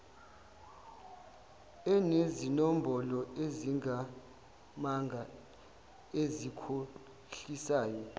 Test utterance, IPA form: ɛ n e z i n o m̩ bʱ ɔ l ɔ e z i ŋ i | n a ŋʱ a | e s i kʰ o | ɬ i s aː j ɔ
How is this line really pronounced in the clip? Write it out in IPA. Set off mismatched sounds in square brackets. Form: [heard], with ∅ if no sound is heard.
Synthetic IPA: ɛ n e z i n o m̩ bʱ ɔ l ɔ e z i ŋ [a] | [m] a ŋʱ a | e [z] i kʰ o | ɬ i s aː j ɔ